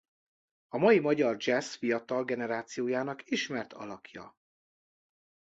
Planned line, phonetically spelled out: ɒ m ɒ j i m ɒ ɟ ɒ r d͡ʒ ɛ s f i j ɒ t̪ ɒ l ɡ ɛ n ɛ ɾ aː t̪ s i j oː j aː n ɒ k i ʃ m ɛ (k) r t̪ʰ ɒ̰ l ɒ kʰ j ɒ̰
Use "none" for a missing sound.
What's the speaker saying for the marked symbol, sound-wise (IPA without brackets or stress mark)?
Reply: none